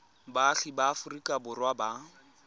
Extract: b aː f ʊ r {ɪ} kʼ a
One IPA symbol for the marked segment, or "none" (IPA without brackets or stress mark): i